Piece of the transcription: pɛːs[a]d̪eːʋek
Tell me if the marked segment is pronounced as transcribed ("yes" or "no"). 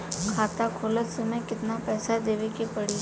yes